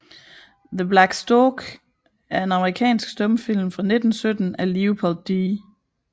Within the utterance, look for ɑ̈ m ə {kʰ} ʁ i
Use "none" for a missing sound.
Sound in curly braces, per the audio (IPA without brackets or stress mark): none